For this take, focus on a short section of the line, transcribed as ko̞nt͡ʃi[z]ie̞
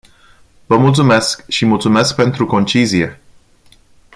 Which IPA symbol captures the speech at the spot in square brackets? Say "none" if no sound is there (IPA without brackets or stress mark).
z